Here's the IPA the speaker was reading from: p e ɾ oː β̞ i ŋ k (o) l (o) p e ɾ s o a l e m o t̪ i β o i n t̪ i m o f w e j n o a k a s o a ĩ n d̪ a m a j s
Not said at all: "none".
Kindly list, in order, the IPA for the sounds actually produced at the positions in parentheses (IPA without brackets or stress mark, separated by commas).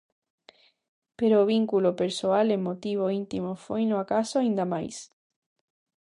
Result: u, o